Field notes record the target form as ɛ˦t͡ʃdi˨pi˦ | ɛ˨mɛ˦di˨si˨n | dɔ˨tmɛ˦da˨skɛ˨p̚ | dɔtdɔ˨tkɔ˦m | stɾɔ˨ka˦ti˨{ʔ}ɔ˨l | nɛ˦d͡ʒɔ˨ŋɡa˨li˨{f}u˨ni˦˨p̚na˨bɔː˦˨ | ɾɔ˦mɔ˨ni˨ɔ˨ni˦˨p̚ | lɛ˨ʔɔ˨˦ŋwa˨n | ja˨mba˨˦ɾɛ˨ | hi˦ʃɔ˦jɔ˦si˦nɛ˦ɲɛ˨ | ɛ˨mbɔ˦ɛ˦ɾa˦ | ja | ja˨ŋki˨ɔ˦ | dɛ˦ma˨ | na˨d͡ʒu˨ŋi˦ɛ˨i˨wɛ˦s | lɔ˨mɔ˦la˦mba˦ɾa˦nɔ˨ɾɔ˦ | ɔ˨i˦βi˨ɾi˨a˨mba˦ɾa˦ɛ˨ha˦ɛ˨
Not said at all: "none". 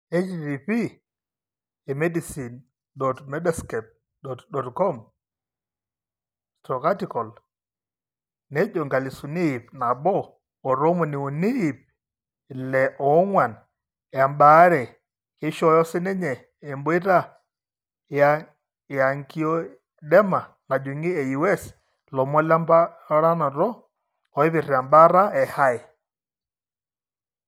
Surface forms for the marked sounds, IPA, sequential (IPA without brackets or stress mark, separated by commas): k, s